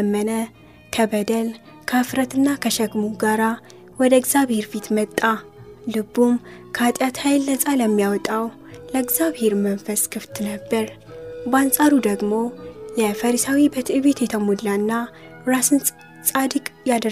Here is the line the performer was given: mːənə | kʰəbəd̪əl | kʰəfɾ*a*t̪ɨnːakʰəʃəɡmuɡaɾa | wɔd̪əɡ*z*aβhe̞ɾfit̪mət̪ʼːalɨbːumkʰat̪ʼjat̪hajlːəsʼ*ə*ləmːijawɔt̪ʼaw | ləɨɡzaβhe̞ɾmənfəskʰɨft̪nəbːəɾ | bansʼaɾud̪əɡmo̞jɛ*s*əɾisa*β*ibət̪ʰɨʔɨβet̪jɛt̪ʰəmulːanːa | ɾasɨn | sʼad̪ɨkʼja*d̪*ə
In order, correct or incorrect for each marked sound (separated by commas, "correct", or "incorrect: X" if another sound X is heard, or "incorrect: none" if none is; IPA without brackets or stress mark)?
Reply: incorrect: ə, correct, incorrect: a, incorrect: f, incorrect: w, correct